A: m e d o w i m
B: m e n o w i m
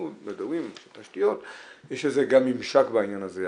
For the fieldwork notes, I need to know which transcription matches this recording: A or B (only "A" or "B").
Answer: A